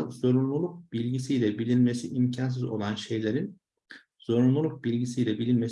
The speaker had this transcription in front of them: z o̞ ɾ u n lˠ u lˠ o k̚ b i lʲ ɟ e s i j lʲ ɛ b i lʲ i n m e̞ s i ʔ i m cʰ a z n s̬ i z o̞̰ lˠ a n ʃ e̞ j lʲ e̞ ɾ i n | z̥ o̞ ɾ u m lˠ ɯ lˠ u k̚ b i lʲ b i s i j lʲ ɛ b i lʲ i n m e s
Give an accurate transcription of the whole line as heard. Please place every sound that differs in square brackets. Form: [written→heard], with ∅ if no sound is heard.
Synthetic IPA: z o̞ ɾ u n lˠ u lˠ [o→u] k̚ b i lʲ ɟ [e→i] s i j lʲ ɛ b i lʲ i n m e̞ s i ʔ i m cʰ a [z→∅] n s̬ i z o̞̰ lˠ a n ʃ e̞ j lʲ e̞ ɾ i n | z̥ o̞ ɾ u [m→n] lˠ [ɯ→u] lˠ u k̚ b i lʲ [b→ɟ] i s i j lʲ ɛ b i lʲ i n m e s